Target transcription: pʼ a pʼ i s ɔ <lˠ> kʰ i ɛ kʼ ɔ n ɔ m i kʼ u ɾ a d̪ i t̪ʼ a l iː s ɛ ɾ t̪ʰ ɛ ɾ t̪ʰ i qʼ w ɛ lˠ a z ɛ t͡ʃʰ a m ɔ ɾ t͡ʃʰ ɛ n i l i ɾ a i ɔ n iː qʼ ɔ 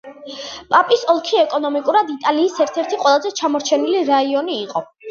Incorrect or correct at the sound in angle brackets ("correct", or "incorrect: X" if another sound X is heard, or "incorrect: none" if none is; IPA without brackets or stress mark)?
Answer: correct